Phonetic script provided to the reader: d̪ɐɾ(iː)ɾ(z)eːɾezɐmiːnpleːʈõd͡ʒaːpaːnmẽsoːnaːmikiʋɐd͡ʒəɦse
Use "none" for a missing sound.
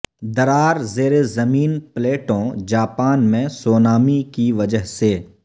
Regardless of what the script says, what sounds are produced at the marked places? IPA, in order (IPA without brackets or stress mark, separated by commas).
aː, z